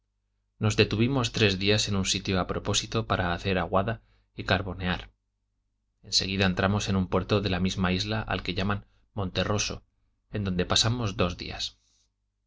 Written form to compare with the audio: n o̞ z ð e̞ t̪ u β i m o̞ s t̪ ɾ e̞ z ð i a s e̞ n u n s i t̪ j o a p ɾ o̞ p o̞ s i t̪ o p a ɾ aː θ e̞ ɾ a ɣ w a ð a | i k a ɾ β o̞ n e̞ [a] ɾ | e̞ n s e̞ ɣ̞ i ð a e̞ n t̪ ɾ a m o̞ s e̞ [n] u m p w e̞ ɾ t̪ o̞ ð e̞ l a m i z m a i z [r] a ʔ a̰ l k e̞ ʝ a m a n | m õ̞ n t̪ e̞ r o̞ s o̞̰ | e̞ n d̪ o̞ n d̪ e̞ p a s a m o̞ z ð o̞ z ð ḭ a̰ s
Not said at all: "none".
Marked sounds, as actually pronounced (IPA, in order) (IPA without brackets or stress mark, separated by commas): a, n, l